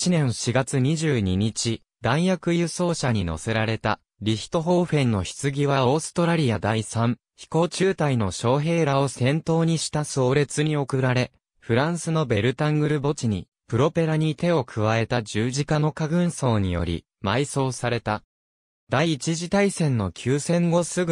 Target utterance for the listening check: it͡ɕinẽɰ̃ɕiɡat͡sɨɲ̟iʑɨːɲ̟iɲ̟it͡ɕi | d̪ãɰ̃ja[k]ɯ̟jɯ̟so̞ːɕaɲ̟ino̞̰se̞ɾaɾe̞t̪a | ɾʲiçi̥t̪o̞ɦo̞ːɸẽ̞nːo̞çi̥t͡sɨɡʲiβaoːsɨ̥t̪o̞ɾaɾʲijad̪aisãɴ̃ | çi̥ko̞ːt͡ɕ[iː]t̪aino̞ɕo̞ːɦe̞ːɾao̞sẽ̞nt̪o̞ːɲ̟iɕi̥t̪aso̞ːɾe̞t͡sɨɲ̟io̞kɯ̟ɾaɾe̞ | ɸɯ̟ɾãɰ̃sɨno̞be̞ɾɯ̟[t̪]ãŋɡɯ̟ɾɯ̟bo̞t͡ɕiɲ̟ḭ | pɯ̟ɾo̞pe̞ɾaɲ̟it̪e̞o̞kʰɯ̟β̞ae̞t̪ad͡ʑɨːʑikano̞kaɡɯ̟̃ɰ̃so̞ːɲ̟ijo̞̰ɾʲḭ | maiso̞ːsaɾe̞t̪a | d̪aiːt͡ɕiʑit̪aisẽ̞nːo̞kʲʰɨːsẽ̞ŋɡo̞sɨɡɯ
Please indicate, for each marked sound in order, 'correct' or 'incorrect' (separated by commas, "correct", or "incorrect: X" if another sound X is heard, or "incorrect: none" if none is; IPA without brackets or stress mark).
correct, incorrect: ɨː, correct